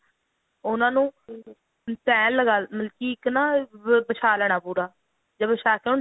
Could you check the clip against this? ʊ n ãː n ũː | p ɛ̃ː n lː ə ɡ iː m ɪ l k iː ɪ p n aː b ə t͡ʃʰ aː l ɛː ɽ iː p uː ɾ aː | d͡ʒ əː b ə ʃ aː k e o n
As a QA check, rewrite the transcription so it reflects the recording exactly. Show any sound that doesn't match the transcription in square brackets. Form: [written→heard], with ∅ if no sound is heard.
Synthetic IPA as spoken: ʊ n ãː n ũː | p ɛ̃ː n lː ə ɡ [iː→aː] m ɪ l k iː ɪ [p→k] n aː b ə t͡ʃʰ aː l ɛː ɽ [iː→aː] p uː ɾ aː | d͡ʒ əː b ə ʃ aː k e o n